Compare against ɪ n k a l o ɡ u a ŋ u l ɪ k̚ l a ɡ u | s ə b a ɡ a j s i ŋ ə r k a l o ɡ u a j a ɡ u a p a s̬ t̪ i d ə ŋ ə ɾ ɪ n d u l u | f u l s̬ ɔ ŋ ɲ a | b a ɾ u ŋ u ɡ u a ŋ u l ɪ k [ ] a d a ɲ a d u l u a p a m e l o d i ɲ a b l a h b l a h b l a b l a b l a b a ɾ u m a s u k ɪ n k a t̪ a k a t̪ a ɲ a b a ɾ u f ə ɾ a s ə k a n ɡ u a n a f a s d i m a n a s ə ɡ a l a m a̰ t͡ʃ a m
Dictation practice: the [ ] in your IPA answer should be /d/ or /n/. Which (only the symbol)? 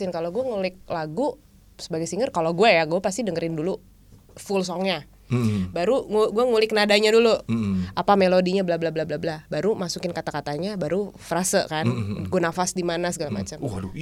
n